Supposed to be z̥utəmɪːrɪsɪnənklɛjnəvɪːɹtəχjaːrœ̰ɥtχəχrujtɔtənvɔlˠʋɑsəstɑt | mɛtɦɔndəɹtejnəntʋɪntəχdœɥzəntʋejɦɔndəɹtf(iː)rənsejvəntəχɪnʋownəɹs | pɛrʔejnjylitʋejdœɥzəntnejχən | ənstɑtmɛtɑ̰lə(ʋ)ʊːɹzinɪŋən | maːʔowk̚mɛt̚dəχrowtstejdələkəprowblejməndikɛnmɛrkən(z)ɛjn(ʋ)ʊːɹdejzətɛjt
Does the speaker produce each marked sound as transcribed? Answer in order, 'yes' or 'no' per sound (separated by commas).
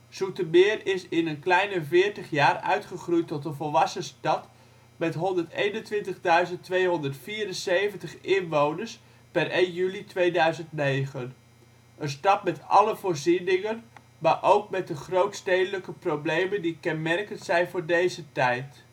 yes, no, no, no